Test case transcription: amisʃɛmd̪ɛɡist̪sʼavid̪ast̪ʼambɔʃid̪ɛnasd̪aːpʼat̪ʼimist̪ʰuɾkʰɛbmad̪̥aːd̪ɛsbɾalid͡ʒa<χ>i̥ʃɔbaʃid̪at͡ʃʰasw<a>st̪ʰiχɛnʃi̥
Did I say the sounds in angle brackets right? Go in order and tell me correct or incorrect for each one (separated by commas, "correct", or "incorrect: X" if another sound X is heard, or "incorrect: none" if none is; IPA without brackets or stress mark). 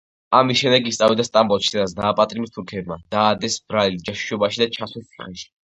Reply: incorrect: ʃ, incorrect: ɛ